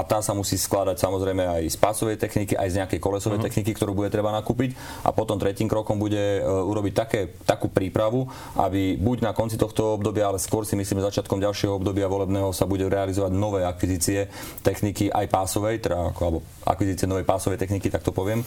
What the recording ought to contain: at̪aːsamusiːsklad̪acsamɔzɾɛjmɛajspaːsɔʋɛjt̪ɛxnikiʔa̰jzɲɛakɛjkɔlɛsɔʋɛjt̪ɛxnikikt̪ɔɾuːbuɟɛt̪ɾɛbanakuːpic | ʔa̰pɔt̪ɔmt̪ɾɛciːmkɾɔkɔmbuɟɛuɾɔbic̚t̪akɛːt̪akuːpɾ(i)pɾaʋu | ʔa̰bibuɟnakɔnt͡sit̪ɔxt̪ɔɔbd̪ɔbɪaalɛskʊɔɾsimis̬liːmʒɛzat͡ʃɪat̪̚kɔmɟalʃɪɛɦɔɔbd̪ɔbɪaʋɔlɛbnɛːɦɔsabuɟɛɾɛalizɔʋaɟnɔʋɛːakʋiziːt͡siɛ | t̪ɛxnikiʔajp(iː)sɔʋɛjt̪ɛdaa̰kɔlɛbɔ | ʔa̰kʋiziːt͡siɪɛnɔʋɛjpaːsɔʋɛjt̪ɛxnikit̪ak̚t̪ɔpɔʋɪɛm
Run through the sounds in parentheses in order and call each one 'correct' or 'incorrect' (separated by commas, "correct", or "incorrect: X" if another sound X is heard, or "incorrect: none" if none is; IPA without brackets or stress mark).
incorrect: iː, incorrect: aː